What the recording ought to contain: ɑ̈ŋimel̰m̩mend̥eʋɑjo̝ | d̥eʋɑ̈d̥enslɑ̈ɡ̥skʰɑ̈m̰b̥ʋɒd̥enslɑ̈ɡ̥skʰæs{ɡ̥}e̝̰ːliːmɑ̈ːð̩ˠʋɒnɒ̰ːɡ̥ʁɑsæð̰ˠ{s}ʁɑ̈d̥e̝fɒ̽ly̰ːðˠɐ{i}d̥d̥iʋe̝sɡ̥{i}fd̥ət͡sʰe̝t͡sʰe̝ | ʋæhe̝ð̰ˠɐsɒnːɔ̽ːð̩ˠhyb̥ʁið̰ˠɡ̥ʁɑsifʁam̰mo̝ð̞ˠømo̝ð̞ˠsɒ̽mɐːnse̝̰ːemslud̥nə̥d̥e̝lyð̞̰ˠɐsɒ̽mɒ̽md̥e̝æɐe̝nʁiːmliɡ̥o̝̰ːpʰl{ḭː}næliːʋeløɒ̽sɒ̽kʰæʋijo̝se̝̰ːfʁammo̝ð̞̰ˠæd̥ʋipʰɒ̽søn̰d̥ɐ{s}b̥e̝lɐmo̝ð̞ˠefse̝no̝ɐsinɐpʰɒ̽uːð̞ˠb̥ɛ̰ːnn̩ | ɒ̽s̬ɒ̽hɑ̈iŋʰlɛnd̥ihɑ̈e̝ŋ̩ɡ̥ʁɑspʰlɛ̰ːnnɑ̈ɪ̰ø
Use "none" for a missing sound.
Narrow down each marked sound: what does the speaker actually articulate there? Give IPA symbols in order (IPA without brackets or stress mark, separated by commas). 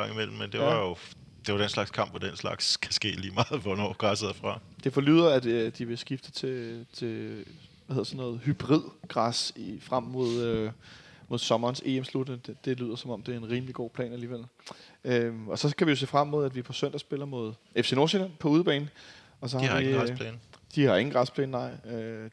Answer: ɡ̥, f, æ, i, ɛ̰ː, s